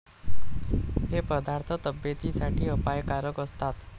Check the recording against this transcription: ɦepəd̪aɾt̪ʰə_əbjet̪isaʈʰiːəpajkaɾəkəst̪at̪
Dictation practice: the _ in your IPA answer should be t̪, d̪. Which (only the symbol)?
t̪